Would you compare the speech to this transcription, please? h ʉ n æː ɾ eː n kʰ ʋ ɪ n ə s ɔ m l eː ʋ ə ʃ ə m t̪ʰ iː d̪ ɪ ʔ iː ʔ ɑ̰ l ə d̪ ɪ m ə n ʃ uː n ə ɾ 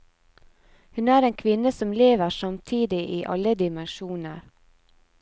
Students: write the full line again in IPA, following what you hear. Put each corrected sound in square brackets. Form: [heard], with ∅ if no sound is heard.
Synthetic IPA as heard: h ʉ n æː ɾ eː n kʰ ʋ ɪ n ə s ɔ m l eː ʋ ə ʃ [ɑ] m t̪ʰ iː d̪ ɪ ʔ iː ʔ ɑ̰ l ə d̪ ɪ m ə n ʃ uː n ə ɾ